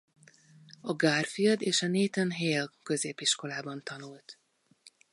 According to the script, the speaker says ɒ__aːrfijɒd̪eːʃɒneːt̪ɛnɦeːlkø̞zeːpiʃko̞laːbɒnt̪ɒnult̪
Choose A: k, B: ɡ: B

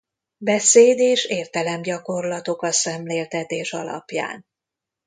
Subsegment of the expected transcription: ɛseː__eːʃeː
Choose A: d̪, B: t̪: A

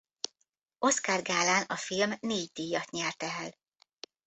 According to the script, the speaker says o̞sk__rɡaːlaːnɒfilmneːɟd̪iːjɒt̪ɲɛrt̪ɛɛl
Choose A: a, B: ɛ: A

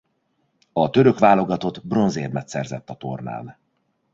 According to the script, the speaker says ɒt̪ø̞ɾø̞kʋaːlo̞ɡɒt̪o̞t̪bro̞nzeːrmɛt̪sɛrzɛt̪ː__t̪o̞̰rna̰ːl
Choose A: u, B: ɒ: B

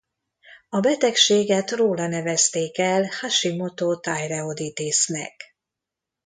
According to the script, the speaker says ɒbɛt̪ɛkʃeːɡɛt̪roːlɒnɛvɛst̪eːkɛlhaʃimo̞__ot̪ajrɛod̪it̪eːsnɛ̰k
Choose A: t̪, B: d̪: A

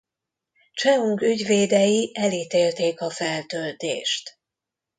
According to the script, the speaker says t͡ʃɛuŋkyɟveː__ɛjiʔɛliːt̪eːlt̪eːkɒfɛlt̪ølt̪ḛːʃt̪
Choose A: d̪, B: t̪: A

